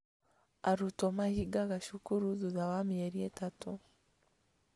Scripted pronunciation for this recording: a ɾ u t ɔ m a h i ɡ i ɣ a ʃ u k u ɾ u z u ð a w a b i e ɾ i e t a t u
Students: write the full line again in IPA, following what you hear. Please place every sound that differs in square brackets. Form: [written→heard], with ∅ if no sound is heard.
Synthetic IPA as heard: a ɾ u t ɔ m a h i ɡ [i→a] ɣ a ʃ u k u ɾ u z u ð a w a [b→m] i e ɾ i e t a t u